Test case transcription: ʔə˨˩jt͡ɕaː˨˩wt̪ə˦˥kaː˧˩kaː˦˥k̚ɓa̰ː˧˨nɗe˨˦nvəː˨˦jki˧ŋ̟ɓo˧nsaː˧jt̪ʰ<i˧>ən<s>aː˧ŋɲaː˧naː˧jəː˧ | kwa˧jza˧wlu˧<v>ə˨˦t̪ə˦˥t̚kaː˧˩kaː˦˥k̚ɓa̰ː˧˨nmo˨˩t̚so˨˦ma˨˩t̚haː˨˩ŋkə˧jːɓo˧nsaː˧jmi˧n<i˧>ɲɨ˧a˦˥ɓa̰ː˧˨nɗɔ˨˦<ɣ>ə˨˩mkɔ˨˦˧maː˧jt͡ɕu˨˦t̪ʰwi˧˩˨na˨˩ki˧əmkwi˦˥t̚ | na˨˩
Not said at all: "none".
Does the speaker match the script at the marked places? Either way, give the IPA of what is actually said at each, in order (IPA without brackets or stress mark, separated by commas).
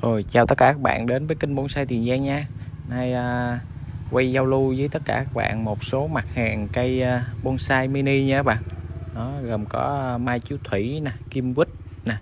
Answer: i˨˩, z, z, i˧, ɣ